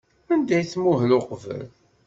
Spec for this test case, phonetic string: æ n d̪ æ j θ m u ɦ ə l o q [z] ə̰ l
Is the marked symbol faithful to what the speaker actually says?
no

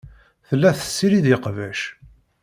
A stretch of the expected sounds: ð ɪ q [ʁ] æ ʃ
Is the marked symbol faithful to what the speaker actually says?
no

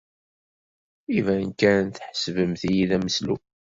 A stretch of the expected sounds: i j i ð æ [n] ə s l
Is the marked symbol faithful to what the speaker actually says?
no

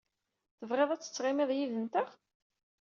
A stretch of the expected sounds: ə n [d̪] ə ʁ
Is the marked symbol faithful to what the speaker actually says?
no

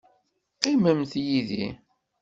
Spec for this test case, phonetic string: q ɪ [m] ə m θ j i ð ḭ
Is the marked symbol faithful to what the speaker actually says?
yes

